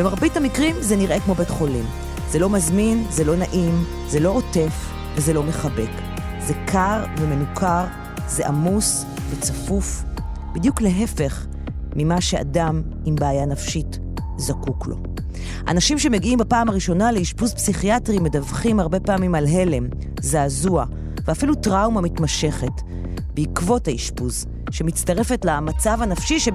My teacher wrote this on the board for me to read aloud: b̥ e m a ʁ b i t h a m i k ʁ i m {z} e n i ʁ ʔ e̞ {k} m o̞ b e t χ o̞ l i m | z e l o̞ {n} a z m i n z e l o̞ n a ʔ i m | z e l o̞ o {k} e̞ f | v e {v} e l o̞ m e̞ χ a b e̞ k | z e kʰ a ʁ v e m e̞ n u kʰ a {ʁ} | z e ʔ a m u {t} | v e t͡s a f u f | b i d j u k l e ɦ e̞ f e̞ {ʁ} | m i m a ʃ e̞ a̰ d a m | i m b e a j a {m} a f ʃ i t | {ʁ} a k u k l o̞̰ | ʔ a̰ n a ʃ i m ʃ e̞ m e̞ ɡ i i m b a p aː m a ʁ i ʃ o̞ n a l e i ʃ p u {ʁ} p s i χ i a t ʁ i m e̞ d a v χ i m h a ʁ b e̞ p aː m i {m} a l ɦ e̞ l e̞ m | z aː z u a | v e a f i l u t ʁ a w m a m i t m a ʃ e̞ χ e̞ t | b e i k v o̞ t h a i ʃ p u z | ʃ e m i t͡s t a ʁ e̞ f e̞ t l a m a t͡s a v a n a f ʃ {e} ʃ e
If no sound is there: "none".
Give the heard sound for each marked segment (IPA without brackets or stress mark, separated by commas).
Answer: z, k, m, t, z, ʁ, s, χ, n, z, z, m, i